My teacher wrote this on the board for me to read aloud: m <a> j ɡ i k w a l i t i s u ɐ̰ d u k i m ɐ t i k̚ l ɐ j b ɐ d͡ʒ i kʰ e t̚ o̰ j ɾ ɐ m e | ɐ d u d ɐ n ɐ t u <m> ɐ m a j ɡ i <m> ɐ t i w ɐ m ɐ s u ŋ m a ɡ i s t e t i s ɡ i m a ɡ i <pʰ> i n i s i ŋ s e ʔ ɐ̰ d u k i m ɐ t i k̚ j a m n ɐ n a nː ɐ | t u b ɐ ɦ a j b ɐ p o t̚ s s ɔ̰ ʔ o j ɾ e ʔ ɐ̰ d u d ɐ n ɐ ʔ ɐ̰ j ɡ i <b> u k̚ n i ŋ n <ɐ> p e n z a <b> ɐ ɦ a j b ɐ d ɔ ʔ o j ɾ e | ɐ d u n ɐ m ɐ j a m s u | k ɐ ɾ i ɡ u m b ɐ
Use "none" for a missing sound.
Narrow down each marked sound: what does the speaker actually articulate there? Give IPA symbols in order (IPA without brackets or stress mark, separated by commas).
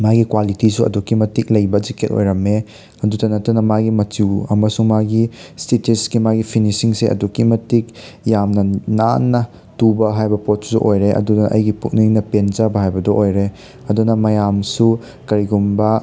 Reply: a, n, m, pʰ, p, ɐ, b